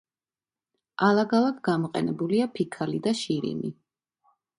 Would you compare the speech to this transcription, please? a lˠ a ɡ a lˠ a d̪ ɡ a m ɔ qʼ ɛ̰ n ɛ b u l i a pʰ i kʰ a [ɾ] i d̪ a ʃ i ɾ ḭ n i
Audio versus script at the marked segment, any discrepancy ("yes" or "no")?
yes